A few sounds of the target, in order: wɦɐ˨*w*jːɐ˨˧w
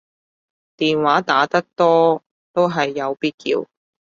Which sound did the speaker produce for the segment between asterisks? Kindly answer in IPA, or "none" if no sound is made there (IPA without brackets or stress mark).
none